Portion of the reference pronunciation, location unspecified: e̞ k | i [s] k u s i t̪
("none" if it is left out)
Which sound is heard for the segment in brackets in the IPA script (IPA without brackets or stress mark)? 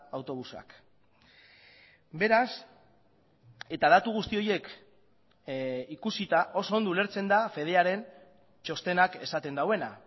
none